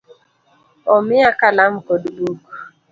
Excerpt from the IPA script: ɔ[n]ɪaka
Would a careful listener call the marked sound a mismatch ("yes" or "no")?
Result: yes